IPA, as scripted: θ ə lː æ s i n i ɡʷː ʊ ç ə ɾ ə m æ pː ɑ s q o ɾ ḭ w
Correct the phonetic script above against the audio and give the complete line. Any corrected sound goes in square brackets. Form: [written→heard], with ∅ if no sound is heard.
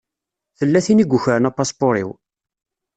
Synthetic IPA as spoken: θ ə lː æ [s→θ] i n i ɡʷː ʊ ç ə ɾ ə [m→n] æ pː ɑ s [q→p] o ɾ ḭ w